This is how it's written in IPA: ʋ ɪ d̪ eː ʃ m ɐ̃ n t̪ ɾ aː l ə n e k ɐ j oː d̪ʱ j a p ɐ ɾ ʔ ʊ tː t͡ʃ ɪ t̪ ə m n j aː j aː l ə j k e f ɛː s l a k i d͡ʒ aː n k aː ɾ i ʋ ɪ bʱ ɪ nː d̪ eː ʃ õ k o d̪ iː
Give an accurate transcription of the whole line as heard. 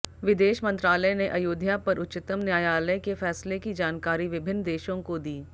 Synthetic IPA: ʋ ɪ d̪ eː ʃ m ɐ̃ n t̪ ɾ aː l ə n e ʔ ɐ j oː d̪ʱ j a p ɐ ɾ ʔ ʊ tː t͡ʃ ɪ t̪ ə m n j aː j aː l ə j k e f ɛː s l e k i d͡ʒ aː n k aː ɾ i ʋ ɪ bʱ ɪ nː d̪ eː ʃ õ k o d̪ iː